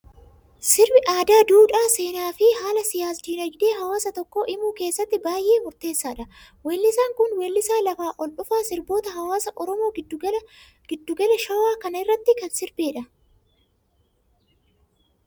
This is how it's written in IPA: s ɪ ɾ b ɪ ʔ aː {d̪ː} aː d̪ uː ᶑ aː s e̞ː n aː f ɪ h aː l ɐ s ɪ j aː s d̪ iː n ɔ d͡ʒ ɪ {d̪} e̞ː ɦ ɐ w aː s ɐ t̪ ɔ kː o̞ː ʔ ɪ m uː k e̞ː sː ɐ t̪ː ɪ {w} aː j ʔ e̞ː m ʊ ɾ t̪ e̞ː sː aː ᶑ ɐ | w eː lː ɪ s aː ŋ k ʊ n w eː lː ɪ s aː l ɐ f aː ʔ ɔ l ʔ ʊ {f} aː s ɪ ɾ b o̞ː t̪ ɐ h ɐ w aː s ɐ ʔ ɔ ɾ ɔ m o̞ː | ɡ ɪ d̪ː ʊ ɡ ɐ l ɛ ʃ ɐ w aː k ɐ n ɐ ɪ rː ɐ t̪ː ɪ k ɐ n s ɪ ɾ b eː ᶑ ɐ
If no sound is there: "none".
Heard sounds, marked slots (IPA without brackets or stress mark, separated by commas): d̪, d̪, b, f